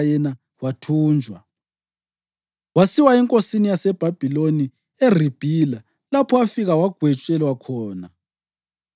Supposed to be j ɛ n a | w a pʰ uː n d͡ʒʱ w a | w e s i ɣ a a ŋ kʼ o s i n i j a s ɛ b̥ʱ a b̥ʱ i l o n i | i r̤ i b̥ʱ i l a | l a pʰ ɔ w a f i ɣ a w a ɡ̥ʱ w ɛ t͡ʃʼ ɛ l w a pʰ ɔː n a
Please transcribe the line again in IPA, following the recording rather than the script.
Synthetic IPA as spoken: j ɛ n a | w a tʰ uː n d͡ʒʱ w a | w a s i w a ɛ ŋ kʼ o s i n i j a s ɛ b̥ʱ a b̥ʱ i l o n i | e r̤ i b̥ʱ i l a | l a pʰ ɔ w a f i ɣ a w a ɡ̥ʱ w ɛ t͡ʃʼ ɛ l w a kʰ ɔː n a